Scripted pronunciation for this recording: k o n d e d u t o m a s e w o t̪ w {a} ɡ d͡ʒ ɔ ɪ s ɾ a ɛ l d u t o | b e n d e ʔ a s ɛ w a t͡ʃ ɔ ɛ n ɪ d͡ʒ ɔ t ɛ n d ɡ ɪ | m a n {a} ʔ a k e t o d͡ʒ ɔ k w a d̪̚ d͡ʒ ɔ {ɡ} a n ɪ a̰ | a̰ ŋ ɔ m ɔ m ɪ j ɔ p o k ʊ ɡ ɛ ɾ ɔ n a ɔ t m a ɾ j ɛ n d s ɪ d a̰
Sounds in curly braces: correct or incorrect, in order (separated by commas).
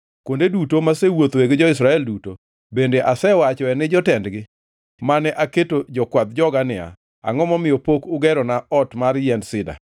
incorrect, incorrect, correct